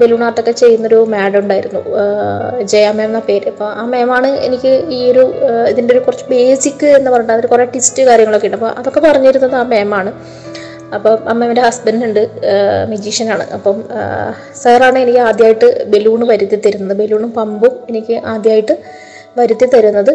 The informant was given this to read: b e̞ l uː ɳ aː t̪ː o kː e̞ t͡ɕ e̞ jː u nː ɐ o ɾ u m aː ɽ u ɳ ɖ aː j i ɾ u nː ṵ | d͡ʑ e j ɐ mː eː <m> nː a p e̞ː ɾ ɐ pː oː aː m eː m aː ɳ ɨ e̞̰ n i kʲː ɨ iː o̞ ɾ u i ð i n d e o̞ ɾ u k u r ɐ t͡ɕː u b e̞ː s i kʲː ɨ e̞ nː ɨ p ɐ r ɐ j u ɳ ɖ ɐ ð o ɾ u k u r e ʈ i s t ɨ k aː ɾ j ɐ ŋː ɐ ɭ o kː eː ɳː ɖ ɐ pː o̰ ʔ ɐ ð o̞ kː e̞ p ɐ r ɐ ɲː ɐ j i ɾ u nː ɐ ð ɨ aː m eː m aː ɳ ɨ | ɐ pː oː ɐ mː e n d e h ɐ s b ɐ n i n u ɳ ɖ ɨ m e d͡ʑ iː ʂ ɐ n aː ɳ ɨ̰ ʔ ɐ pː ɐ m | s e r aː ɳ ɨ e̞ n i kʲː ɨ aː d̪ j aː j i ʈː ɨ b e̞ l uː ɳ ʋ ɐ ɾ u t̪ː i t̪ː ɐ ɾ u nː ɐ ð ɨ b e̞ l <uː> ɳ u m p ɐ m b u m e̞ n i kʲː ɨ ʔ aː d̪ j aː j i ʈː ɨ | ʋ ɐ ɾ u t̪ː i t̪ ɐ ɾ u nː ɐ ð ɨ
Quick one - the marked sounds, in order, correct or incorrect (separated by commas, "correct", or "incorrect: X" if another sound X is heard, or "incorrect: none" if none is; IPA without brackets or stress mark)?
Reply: correct, correct